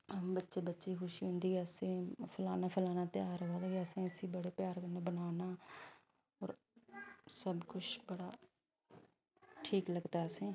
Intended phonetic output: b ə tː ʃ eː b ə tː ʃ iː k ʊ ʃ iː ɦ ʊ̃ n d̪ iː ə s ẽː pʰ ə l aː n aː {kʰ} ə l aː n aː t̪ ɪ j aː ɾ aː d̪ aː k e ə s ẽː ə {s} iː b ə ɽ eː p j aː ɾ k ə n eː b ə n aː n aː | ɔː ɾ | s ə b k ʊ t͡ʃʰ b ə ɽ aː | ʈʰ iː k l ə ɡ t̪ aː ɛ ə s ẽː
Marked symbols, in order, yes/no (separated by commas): no, yes